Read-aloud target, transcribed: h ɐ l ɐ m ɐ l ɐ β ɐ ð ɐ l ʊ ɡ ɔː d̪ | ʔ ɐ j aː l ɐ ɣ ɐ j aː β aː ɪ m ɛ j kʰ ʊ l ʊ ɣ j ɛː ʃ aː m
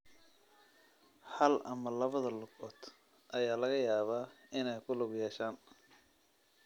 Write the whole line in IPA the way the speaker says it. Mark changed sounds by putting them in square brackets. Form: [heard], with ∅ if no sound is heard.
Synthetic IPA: h ɐ l ɐ m ɐ l ɐ β ɐ ð ɐ l ʊ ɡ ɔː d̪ | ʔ ɐ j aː l ɐ ɣ ɐ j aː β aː ɪ [n] ɛ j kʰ ʊ l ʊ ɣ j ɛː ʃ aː [n]